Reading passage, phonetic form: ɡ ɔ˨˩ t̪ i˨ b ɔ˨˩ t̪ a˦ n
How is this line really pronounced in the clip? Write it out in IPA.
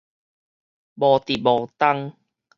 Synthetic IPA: b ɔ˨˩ t̪ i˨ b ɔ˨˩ t̪ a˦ ŋ